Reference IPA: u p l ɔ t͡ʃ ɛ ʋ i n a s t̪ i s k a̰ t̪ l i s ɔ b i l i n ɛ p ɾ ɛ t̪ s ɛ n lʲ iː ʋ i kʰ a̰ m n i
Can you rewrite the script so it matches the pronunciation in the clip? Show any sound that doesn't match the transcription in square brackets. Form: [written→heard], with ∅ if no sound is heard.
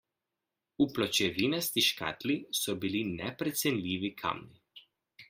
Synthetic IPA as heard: u p l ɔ t͡ʃ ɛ ʋ i n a s t̪ i [s→ʃ] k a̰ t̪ l i s ɔ b i l i n ɛ p ɾ ɛ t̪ s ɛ n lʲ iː ʋ i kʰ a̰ m n i